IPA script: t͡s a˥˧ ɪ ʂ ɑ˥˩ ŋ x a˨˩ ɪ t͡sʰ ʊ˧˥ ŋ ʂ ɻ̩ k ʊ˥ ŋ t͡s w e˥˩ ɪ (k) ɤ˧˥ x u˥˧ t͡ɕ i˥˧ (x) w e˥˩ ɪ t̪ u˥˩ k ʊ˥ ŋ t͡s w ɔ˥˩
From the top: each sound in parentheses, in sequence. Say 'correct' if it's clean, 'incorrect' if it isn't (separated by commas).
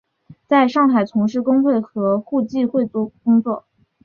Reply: incorrect, correct